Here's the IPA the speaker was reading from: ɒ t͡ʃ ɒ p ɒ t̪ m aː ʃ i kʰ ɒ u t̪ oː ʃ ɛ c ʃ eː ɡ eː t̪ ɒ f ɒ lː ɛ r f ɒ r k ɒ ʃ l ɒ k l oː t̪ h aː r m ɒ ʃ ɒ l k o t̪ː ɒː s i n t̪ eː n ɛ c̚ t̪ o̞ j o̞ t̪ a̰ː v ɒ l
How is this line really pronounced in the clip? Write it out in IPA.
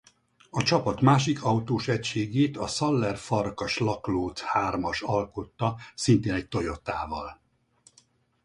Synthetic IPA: ɒ t͡ʃ ɒ p ɒ t̪ m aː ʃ i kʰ ɒ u t̪ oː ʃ ɛ c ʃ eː ɡ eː t̪ ɒ s ɒ lː ɛ r f ɒ r k ɒ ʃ l ɒ k l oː t̪ h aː r m ɒ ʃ ɒ l k o t̪ː ɒ s i n t̪ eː n ɛ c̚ t̪ o̞ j o̞ t̪ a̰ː v ɒ l